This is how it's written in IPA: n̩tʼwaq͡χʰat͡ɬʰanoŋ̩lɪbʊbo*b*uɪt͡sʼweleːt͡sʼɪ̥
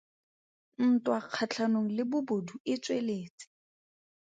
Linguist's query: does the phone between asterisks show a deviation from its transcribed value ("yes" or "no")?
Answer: yes